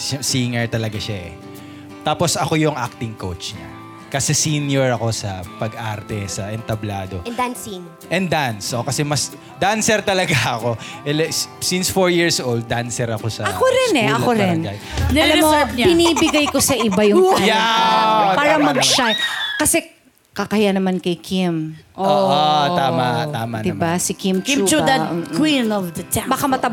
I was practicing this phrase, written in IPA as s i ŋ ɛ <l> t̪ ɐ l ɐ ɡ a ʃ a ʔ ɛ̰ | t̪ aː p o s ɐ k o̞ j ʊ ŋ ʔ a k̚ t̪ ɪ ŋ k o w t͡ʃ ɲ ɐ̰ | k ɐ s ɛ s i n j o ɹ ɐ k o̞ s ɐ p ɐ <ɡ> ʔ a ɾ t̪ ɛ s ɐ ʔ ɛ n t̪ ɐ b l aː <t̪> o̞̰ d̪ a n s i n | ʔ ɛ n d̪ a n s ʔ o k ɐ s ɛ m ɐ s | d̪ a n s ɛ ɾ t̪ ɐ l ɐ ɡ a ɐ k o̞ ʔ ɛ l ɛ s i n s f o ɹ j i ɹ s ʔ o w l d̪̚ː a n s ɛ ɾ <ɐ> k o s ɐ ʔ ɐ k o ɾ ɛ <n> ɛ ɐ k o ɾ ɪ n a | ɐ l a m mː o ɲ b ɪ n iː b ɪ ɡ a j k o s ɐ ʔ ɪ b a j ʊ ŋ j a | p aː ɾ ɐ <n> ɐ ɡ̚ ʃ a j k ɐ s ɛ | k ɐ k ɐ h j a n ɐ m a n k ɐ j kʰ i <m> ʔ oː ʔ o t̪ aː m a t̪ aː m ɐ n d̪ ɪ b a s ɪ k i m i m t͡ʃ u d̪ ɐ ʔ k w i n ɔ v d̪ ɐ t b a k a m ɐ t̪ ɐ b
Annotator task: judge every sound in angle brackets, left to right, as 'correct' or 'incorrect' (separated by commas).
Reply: incorrect, correct, incorrect, correct, correct, incorrect, correct